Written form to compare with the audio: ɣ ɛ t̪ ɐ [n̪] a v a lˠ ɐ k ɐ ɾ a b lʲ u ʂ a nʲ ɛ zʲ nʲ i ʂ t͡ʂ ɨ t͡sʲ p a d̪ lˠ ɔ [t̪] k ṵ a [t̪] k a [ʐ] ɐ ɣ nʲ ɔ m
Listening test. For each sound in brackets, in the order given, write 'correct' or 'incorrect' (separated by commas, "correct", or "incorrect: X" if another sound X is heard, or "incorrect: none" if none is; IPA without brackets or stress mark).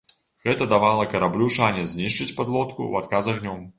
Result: incorrect: d̪, correct, correct, incorrect: z